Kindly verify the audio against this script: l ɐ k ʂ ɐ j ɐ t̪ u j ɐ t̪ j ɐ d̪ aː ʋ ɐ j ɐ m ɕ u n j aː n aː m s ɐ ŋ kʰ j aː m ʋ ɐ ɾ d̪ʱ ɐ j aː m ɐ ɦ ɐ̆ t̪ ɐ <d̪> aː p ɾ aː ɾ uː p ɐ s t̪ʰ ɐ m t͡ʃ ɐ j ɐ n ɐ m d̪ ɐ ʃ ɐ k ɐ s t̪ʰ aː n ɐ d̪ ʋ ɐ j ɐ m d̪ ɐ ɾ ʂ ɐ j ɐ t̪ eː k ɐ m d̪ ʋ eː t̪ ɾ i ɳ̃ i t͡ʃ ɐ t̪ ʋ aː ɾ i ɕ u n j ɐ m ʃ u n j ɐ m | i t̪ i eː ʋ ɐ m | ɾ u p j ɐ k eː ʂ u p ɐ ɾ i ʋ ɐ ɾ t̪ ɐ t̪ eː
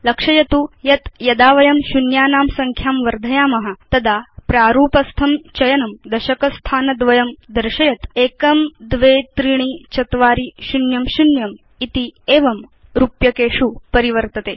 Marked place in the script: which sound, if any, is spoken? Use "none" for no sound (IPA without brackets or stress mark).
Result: d̪